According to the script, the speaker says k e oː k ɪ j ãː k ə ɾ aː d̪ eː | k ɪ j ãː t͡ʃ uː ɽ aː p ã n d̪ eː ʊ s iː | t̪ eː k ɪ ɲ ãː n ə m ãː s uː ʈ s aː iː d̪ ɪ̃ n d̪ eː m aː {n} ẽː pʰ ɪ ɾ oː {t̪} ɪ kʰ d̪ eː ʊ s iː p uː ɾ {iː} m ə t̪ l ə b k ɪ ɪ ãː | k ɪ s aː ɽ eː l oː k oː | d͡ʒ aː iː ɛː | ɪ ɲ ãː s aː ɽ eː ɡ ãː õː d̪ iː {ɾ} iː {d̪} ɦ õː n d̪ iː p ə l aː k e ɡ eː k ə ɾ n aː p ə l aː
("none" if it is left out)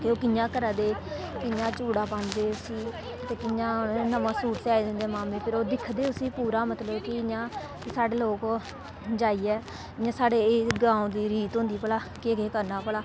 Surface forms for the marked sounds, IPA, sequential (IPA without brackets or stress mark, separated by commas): m, d̪, aː, ɾ, t̪